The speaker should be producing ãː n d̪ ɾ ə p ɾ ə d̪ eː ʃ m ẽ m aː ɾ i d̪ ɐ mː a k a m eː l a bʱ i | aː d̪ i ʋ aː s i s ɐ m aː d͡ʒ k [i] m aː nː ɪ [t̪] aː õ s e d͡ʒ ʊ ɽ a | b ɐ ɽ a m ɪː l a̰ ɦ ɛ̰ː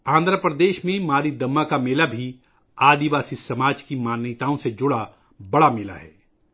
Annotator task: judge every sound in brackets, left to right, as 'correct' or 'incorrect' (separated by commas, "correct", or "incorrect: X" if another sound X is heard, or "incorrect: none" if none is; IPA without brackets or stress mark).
correct, correct